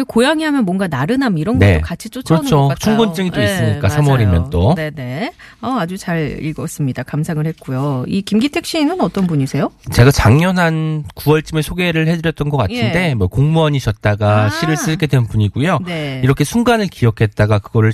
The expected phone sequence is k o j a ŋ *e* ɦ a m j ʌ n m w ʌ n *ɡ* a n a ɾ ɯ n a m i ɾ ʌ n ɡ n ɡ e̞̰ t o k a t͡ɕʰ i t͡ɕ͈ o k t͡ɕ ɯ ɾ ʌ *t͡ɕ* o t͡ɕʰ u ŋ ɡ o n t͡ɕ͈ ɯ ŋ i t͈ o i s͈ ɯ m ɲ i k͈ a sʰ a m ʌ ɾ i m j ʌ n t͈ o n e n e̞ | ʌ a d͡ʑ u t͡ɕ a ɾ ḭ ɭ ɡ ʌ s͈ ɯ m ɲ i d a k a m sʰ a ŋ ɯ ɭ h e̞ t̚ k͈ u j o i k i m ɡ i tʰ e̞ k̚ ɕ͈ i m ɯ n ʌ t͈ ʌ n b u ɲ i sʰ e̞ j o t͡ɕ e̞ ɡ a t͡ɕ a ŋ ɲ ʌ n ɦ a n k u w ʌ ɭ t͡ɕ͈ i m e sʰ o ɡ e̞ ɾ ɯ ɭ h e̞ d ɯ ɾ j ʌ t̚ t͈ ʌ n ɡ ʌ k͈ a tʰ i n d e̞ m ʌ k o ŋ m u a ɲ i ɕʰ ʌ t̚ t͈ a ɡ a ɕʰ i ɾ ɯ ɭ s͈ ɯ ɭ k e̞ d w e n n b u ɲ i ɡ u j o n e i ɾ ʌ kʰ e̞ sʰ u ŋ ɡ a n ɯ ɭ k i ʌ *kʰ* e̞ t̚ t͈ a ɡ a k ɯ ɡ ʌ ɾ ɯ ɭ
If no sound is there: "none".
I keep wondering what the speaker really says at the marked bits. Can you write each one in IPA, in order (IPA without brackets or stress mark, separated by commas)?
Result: i, ɡ, t͡ɕʰ, kʰ